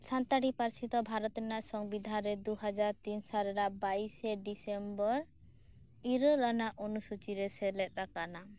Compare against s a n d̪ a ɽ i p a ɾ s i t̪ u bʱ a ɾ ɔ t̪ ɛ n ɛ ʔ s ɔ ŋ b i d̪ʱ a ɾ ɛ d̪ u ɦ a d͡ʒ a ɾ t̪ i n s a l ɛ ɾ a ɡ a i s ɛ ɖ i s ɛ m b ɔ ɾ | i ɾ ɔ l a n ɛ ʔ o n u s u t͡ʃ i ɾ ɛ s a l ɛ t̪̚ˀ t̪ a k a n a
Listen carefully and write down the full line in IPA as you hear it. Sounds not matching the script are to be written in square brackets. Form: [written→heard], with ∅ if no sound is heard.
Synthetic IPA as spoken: s a n [d̪→t̪] a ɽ i p a ɾ s i t̪ [u→ɔ] bʱ a ɾ ɔ t̪ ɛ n [ɛ→a] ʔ s ɔ ŋ b i d̪ʱ a ɾ ɛ d̪ u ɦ a d͡ʒ a ɾ t̪ i n s a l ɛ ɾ a [ɡ→b] a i s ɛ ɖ i s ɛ m b ɔ ɾ | i ɾ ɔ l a n [ɛ→a] ʔ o n u s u t͡ʃ i ɾ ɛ s [a→ɛ] l ɛ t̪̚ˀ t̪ a k a n a